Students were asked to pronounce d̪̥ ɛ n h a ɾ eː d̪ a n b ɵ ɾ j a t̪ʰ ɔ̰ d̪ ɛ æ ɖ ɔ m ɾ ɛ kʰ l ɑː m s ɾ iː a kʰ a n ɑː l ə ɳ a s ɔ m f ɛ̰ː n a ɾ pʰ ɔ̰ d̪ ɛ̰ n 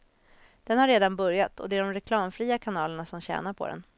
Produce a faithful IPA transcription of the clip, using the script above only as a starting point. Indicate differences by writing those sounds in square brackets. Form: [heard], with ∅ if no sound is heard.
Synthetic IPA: d̪̥ ɛ n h a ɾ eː d̪ a n b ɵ ɾ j a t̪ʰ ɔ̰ d̪ ɛ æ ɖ ɔ m ɾ ɛ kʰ l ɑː m [f] ɾ iː a kʰ a n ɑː l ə ɳ a s ɔ m [ɕ] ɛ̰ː n a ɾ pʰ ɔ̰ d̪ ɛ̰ n